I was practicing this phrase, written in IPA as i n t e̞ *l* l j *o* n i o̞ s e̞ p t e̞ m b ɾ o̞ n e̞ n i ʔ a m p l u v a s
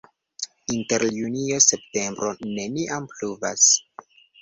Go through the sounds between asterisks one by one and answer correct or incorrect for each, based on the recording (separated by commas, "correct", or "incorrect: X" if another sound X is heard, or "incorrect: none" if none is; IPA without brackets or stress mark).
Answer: incorrect: ɾ, incorrect: u